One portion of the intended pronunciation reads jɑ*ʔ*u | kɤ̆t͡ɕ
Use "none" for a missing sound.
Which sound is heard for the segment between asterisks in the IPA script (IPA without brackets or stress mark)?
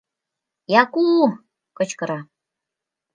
k